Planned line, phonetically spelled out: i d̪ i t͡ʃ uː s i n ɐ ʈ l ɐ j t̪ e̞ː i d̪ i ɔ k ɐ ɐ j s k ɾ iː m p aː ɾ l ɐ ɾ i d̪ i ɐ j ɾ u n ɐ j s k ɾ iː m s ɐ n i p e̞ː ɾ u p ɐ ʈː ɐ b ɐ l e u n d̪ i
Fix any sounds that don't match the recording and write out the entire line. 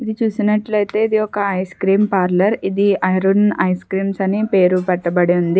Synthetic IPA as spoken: i d̪ i t͡ʃ uː s i n ɐ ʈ l ɐ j t̪ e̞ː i d̪ i ɔ k ɐ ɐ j s k ɾ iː m p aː ɾ l ɐ ɾ i d̪ i ɐ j ɾ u n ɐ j s k ɾ iː m s ɐ n i p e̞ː ɾ u p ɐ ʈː ɐ b ɐ ɽ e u n d̪ i